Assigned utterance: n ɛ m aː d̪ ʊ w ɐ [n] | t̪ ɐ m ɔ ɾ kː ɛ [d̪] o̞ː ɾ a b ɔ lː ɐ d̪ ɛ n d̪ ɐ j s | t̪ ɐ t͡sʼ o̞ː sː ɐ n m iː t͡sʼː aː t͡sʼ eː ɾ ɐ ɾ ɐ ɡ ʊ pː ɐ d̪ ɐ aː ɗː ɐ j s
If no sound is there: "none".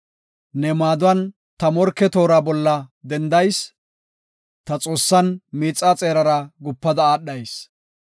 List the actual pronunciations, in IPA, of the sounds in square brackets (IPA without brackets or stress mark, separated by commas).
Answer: n, t̪